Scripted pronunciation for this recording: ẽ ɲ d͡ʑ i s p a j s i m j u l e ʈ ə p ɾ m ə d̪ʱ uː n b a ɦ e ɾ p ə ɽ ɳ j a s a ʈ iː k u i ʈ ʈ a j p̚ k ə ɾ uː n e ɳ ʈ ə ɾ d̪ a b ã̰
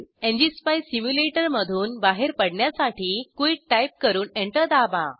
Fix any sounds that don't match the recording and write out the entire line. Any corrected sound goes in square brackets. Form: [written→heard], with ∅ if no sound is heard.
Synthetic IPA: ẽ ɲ d͡ʑ i s p a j s i m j u l e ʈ ə [p→∅] ɾ m ə d̪ʱ uː n b a ɦ e ɾ p ə ɽ ɳ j a s a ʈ iː k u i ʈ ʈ a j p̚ k ə ɾ uː n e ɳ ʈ ə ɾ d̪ a b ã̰